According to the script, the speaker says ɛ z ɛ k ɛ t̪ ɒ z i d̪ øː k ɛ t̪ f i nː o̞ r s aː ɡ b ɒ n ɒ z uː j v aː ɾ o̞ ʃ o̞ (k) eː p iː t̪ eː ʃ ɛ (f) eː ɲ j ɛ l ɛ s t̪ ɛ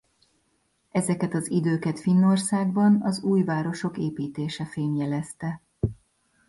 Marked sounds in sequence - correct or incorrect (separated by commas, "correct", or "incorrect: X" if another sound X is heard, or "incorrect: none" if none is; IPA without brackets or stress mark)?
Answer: correct, correct